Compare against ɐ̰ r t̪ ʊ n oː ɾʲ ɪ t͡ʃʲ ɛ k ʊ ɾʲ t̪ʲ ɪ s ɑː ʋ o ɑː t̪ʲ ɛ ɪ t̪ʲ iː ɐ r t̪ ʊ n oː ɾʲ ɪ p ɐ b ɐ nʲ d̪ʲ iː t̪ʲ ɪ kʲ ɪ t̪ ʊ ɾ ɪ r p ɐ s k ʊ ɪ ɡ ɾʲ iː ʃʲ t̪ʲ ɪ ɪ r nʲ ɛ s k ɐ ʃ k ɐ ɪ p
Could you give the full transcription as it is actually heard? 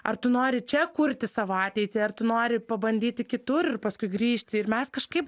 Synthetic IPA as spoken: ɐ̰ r t̪ ʊ n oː ɾʲ ɪ t͡ʃʲ ɛ k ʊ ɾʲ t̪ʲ ɪ s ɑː ʋ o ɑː t̪ʲ ɛ ɪ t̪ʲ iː ɐ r t̪ ʊ n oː ɾʲ ɪ p ɐ b ɐ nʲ d̪ʲ iː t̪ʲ ɪ kʲ ɪ t̪ ʊ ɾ ɪ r p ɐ s k ʊ ɪ ɡ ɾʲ iː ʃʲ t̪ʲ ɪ ɪ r mʲ ɛ s k ɐ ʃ k ɐ ɪ p